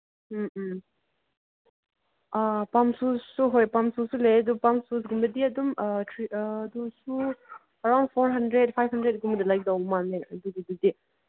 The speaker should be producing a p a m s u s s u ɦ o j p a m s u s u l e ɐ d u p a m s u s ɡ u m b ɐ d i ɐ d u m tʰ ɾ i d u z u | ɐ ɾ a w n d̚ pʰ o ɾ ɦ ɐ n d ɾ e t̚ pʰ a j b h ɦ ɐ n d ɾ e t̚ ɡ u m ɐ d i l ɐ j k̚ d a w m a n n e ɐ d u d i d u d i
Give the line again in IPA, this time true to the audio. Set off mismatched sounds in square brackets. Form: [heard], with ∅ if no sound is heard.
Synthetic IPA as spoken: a p a m s u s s u ɦ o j p a m s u s u l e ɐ d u p a m s u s ɡ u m b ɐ d i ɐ d u m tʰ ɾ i d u [s] u | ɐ ɾ a w n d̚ pʰ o ɾ ɦ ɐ n d ɾ e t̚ pʰ a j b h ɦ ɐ n d ɾ e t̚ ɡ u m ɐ d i l [a] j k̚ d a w m a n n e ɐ d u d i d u d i

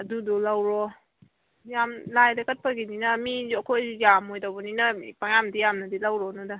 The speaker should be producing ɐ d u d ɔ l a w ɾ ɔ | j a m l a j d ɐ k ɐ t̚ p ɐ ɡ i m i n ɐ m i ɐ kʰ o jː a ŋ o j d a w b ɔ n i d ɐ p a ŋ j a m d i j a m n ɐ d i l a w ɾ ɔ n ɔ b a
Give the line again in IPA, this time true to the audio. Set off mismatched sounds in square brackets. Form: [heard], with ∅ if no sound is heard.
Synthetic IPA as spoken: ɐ d u d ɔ l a w ɾ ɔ | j a m l a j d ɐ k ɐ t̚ p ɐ ɡ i [n] i n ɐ m i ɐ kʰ o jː a [m] o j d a w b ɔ n i [n] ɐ p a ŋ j a m d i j a m n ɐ d i l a w ɾ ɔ n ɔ [d] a

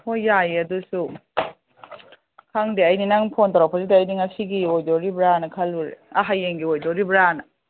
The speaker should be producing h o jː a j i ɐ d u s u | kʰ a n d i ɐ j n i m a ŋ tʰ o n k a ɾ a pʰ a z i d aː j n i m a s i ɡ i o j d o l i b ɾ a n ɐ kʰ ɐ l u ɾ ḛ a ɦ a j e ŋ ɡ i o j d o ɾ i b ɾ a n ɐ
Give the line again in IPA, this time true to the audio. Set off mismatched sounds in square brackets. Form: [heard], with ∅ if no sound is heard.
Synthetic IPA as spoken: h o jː a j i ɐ d u s u | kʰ a [ŋ] d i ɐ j n i [n] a ŋ [pʰ] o n [t] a ɾ a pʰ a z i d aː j n i [ŋ] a s i ɡ i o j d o [ɾ] i b ɾ a n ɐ kʰ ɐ l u ɾ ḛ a ɦ a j e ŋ ɡ i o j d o ɾ i b ɾ a n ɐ

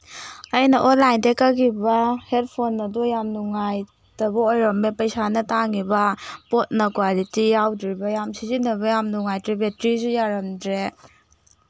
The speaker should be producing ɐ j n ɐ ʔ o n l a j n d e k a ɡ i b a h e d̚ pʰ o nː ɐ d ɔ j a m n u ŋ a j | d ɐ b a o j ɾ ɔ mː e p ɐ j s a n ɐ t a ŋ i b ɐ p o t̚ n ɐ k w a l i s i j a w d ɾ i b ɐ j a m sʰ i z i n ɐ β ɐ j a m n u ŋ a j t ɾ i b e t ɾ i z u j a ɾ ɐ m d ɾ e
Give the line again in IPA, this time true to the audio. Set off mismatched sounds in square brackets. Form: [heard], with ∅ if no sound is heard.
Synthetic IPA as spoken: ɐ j n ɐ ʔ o n l a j n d e k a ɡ i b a h e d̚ pʰ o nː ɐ d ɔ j a m n u ŋ a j | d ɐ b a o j ɾ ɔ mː e p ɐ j s a n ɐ t a ŋ i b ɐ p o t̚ n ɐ k w a l i [t] i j a w d ɾ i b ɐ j a m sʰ i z i n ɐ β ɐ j a m n u ŋ a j t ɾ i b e t ɾ i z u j a ɾ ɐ m d ɾ e

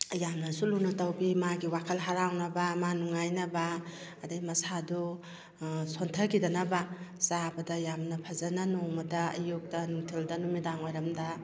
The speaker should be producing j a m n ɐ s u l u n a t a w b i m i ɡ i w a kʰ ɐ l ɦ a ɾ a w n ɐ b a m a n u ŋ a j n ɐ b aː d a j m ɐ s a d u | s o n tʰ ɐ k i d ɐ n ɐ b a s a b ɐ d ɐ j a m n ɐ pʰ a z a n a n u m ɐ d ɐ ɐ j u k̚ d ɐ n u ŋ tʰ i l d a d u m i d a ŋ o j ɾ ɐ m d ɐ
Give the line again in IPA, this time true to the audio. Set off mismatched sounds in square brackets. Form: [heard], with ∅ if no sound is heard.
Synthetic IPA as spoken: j a m n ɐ s u l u n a t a w b i m [a] ɡ i w a kʰ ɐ l ɦ a ɾ a w n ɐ b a m a n u ŋ a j n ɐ b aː d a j m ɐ s a d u | s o n tʰ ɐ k i d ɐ n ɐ b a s a b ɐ d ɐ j a m n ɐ pʰ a z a n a n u m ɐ d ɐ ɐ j u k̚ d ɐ n u ŋ tʰ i l d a [n] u m i d a ŋ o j ɾ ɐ m d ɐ

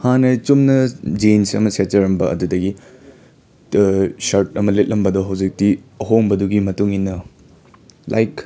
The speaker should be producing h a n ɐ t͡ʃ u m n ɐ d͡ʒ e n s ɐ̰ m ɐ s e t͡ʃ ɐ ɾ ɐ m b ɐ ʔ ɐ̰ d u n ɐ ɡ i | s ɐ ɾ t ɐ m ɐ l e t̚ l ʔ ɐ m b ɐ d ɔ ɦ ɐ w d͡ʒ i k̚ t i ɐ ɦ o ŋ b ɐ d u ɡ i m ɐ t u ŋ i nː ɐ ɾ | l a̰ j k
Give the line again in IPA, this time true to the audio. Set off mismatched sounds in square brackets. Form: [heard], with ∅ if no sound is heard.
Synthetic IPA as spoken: h a n ɐ t͡ʃ u m n ɐ d͡ʒ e n s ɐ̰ m ɐ s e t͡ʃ ɐ ɾ ɐ m b ɐ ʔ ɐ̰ d u [d] ɐ ɡ i | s ɐ ɾ t ɐ m ɐ l e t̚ l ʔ ɐ m b ɐ d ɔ ɦ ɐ w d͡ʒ i k̚ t i ɐ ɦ o ŋ b ɐ d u ɡ i m ɐ t u ŋ i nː ɐ [∅] | l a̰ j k

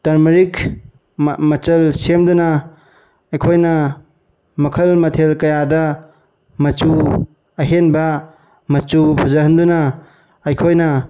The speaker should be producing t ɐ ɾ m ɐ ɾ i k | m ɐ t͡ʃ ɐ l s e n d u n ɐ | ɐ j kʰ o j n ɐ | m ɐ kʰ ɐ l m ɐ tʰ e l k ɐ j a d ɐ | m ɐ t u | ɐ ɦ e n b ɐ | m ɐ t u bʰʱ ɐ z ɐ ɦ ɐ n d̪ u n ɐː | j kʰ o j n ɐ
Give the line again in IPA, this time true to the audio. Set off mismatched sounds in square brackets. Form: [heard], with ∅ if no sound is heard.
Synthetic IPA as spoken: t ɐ ɾ m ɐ ɾ i k | m ɐ t͡ʃ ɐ l s e [m] d u n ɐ | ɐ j kʰ o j n ɐ | m ɐ kʰ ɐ l m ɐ tʰ e l k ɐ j a d ɐ | m ɐ [t͡ʃ] u | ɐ ɦ e n b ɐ | m ɐ [t͡ʃ] u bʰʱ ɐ z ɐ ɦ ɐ n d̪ u n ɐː | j kʰ o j n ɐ

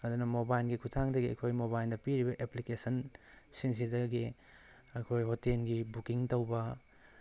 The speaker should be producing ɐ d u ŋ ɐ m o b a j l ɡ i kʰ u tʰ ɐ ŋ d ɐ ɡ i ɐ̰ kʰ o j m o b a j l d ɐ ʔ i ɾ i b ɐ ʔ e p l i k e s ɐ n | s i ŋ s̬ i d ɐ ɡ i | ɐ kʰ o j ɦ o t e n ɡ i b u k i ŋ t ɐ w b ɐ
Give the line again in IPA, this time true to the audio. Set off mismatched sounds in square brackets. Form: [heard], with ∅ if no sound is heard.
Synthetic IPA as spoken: ɐ d u [n] ɐ m o b a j l ɡ i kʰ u tʰ [a] ŋ d ɐ ɡ i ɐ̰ kʰ o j m o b a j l d ɐ [p] i ɾ i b ɐ ʔ e p l i k e s ɐ n | s i ŋ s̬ i d ɐ ɡ i | ɐ kʰ o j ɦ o t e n ɡ i b u k i ŋ t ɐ w b ɐ

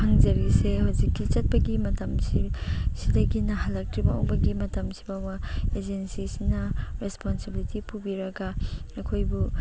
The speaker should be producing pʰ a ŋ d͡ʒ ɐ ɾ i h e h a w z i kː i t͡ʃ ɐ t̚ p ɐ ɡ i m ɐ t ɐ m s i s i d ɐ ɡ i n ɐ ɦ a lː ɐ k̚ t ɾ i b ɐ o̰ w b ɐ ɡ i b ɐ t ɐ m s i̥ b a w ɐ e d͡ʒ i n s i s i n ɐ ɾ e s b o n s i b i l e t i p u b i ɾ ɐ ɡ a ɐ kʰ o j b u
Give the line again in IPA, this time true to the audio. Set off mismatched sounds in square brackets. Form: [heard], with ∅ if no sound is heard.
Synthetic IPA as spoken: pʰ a ŋ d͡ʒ ɐ ɾ i [s] e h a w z i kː i t͡ʃ ɐ t̚ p ɐ ɡ i m ɐ t ɐ m s i s i d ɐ ɡ i n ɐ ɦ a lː ɐ k̚ t ɾ i b ɐ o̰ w b ɐ ɡ i [m] ɐ t ɐ m s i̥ b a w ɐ e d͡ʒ [e] n s i s i n ɐ ɾ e s [p] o n s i b i l [i] t i p u b i ɾ ɐ ɡ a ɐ kʰ o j b u

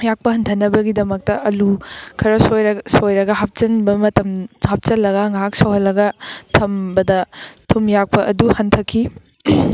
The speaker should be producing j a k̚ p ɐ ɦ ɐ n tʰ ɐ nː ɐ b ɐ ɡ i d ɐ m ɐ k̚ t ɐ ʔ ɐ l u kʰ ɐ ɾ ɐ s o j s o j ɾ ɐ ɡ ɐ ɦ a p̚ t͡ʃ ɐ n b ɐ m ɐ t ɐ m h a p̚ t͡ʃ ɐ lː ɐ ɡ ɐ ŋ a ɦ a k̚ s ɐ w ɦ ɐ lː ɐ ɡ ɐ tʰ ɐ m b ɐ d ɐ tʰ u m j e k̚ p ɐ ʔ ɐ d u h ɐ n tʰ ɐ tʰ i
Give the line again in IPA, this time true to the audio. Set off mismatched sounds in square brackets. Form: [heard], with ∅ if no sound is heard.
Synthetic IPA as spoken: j a k̚ p ɐ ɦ ɐ n tʰ ɐ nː ɐ b ɐ ɡ i d ɐ m ɐ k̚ t ɐ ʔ ɐ l u kʰ ɐ ɾ ɐ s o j s o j ɾ ɐ ɡ ɐ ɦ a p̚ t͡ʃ ɐ n b ɐ m ɐ t ɐ m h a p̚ t͡ʃ ɐ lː ɐ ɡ ɐ ŋ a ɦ a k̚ s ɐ w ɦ ɐ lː ɐ ɡ ɐ tʰ ɐ m b ɐ d ɐ tʰ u m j [a] k̚ p ɐ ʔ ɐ d u h ɐ n tʰ ɐ [kʰ] i

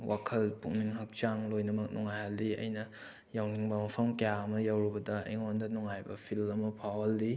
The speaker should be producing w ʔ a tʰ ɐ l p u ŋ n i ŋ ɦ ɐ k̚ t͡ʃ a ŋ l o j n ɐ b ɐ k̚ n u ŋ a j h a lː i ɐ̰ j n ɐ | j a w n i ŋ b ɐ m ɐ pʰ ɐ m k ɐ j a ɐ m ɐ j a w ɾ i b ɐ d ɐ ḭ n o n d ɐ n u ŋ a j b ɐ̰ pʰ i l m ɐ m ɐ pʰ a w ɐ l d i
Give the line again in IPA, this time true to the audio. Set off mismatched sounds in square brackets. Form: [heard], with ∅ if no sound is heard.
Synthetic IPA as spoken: w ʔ a [kʰ] ɐ l p u ŋ n i ŋ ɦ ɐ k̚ t͡ʃ a ŋ l o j n ɐ [m] ɐ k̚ n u ŋ a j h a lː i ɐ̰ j n ɐ | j a w n i ŋ b ɐ m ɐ pʰ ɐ m k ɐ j a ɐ m ɐ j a w ɾ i b ɐ d ɐ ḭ [ŋ] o n d ɐ n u ŋ a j b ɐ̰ pʰ i l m ɐ m ɐ pʰ a w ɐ l d i

